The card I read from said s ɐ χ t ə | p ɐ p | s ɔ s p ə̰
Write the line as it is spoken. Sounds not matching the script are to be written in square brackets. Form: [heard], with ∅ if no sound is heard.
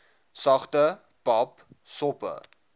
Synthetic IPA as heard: s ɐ χ t ə | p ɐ p | s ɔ [∅] p ə̰